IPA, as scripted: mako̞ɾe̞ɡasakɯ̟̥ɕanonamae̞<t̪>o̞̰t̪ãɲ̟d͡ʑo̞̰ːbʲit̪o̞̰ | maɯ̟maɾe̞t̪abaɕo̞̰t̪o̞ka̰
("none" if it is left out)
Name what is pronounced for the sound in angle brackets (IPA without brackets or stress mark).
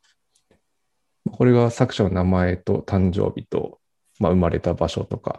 t̪